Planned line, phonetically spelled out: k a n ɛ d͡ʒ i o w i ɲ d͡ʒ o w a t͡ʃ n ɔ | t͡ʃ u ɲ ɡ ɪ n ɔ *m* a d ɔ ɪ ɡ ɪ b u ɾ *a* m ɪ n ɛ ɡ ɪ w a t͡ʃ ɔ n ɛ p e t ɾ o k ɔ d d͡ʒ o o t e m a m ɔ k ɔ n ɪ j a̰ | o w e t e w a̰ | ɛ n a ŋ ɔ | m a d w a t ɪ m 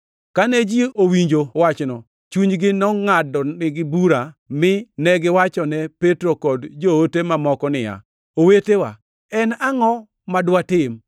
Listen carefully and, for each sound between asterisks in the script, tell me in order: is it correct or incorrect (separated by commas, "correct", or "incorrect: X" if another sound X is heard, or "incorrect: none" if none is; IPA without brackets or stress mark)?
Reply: incorrect: ŋ, correct